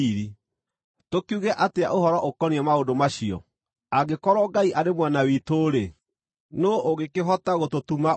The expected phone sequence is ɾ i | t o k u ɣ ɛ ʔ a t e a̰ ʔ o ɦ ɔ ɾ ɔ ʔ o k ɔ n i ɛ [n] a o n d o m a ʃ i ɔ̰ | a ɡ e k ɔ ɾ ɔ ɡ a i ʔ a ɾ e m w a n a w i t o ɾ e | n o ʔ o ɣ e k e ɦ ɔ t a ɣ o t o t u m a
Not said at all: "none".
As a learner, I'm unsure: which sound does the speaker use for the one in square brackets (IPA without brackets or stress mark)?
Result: m